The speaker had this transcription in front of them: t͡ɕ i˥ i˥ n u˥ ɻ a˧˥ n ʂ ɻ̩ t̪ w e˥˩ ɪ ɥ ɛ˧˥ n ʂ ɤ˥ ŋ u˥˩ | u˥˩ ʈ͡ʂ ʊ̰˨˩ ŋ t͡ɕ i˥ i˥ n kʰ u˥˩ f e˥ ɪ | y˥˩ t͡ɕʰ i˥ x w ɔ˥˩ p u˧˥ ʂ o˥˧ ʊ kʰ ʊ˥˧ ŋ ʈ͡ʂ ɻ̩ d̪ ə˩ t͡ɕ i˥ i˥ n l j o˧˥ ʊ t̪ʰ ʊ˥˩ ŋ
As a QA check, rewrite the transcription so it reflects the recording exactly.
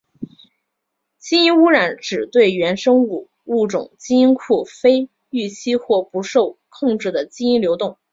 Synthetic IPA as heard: t͡ɕ i˥ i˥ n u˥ ɻ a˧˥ n ʈ͡ʂ ɻ̩ t̪ w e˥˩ ɪ ɥ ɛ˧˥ n ʂ ɤ˥ ŋ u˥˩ | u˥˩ ʈ͡ʂ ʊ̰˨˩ ŋ t͡ɕ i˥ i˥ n kʰ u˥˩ f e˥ ɪ | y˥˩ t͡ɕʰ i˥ x w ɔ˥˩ p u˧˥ ʂ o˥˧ ʊ kʰ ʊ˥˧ ŋ ʈ͡ʂ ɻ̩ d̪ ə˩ t͡ɕ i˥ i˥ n l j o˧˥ ʊ t̪ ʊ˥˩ ŋ

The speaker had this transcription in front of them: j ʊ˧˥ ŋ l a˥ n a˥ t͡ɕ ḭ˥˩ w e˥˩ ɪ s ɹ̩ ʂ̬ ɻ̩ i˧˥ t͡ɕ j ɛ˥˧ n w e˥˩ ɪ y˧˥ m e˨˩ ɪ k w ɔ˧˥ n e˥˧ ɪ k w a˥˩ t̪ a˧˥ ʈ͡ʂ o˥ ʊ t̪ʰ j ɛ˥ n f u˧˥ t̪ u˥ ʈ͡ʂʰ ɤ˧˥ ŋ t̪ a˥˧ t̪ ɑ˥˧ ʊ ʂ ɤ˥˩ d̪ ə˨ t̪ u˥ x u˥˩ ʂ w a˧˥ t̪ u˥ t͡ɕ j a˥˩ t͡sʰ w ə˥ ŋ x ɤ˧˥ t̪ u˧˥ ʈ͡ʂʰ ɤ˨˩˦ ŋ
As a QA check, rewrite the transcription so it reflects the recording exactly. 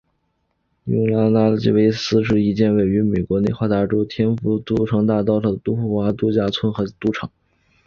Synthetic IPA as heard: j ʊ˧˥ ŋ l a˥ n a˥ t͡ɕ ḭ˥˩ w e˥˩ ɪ s ɹ̩ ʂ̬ ɻ̩ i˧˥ t͡ɕ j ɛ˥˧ n w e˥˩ ɪ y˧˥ m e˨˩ ɪ k w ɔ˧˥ n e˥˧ ɪ x w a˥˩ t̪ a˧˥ ʈ͡ʂ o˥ ʊ t̪ʰ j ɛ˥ n f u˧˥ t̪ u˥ ʈ͡ʂʰ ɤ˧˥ ŋ t̪ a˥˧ t̪ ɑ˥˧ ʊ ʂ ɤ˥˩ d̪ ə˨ t̪ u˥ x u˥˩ x w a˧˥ t̪ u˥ t͡ɕ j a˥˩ t͡sʰ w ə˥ n x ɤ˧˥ t̪ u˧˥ ʈ͡ʂʰ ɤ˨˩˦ ŋ

